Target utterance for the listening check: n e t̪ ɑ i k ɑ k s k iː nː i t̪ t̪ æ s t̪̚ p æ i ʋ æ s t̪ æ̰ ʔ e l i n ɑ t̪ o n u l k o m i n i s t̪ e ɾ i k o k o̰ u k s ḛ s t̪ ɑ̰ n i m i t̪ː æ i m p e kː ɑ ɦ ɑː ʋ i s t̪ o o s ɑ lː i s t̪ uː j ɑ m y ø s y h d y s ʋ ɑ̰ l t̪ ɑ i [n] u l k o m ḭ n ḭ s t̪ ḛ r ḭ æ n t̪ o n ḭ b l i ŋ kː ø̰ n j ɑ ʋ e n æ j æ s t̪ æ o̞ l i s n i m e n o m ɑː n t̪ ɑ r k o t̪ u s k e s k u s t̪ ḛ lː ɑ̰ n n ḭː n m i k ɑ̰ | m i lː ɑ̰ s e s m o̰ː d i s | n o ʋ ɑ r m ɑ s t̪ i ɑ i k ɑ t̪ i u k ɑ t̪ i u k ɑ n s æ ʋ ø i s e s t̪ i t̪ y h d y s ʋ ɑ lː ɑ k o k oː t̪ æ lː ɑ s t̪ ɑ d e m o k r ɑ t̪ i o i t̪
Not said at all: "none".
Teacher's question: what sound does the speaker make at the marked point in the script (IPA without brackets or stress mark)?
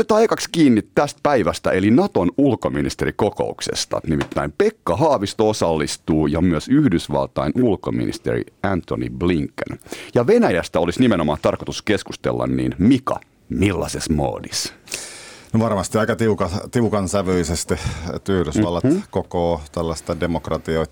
n